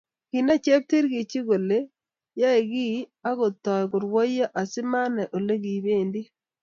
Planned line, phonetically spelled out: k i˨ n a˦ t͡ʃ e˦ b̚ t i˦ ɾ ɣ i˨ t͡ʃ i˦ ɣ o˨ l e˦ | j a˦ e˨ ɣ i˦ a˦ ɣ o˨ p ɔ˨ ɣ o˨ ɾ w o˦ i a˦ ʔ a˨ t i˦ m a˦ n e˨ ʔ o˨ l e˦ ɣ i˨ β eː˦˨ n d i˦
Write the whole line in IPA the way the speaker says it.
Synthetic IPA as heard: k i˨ n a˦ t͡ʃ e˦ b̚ t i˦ ɾ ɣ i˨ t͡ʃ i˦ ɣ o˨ l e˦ | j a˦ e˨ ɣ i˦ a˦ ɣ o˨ t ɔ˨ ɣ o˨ ɾ w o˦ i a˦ ʔ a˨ s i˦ m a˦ n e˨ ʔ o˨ l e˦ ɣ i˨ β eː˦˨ n d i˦